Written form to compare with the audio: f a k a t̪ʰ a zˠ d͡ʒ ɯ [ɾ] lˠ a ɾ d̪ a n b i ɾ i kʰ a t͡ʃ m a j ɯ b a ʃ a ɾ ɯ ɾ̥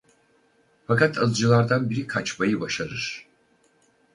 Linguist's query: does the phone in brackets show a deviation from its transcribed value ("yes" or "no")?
yes